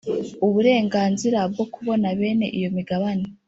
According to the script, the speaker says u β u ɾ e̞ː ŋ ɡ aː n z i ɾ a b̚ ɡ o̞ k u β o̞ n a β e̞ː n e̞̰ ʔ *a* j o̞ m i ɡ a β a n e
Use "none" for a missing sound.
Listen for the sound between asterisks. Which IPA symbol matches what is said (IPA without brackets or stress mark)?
i